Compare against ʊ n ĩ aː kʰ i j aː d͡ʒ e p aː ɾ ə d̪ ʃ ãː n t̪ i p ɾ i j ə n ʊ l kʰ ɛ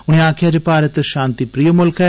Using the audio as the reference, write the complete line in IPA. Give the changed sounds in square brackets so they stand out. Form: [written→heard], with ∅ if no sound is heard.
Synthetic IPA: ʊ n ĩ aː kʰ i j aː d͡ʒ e p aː ɾ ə [d̪→t̪] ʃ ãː n t̪ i p ɾ i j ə [n→m] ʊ l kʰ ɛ